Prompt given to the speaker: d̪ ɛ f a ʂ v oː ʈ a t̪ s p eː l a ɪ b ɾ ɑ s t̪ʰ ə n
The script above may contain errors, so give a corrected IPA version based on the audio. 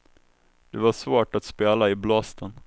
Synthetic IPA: d̪ ɛ v a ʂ v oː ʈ a t̪ s p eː l a ɪ b l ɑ s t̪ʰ ə n